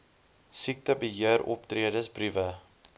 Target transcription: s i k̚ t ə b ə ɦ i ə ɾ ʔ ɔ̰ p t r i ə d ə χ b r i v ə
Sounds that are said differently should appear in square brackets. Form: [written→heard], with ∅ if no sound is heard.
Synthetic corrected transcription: s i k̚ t ə b ə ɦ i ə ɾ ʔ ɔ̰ p t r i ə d ə [χ→s] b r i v ə

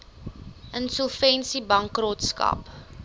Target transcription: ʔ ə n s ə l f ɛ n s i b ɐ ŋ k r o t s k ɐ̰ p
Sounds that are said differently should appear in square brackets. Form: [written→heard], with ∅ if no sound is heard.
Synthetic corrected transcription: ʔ ə n s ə l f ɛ n s i b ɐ ŋ k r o t s k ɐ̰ p

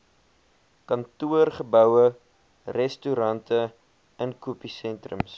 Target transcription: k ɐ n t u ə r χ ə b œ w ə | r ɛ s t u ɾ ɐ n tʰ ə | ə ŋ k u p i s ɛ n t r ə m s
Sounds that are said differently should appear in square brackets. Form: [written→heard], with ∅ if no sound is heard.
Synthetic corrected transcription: k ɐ n t u ə r χ ə b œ w ə | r ɛ s t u ɾ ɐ n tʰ ə | ə [ŋ→n] k u p i s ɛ n t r ə m s

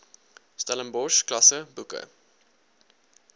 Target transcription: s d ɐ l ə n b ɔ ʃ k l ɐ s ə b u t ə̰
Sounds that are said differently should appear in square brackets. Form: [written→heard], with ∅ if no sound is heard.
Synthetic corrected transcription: s [d→t] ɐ l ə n b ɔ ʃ k l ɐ s ə b u [t→k] ə̰

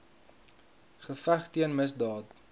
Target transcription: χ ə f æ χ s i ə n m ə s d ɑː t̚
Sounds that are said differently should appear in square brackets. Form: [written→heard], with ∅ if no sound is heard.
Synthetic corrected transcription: χ ə f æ χ [s→t] i ə n m ə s d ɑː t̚

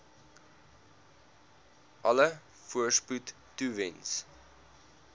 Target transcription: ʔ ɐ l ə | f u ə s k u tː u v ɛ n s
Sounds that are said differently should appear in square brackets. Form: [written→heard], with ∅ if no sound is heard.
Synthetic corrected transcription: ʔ ɐ l ə | f u ə s [k→p] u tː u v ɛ n s

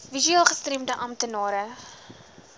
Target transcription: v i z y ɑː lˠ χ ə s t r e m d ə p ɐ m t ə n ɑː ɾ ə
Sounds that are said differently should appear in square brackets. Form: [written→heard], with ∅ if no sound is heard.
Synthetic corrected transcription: v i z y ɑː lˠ χ ə s t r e m d ə [p→ʔ] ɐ m t ə n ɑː ɾ ə

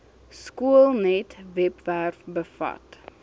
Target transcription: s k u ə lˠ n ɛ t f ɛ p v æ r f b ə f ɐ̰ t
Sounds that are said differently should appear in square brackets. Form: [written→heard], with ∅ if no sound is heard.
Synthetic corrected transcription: s k u ə lˠ n ɛ t [f→v] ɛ p v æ r f b ə f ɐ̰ t

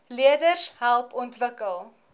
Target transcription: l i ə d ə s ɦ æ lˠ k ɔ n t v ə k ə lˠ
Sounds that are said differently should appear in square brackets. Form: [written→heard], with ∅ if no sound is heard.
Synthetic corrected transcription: l i ə d ə s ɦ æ lˠ [k→p] ɔ n t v ə k ə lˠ

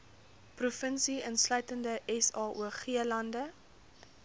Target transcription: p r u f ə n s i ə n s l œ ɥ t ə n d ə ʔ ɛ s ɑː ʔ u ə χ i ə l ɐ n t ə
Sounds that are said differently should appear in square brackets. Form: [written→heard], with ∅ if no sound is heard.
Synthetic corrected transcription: p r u f ə n s i ə n s l œ ɥ t ə n d ə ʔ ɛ s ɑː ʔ u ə χ i ə l ɐ n [t→d] ə

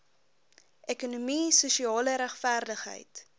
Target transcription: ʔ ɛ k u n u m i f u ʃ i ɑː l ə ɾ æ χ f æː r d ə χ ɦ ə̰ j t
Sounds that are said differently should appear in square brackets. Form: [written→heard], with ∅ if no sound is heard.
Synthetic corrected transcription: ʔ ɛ k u n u m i [f→s] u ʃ i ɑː l ə ɾ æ χ f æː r d ə χ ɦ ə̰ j t

